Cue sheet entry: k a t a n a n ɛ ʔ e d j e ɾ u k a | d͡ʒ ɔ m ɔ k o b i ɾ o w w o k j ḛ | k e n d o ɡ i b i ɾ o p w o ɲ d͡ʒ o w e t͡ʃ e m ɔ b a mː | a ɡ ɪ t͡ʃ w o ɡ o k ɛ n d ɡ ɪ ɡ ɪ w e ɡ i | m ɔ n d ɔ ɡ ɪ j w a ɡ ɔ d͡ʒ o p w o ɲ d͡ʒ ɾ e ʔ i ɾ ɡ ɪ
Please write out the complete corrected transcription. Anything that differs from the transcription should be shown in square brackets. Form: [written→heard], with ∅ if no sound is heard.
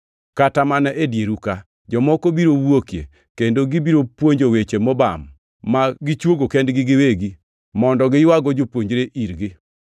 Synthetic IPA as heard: k a t a [n→m] a n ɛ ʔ e d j e ɾ u k a | d͡ʒ ɔ m ɔ k o b i ɾ o w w o k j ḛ | k e n d o ɡ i b i ɾ o p w o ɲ d͡ʒ o w e t͡ʃ e m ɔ b a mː | a ɡ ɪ t͡ʃ w o ɡ o k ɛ n d ɡ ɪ ɡ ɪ w e ɡ i | m ɔ n d ɔ ɡ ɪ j w a ɡ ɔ d͡ʒ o p w o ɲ d͡ʒ ɾ e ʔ i ɾ ɡ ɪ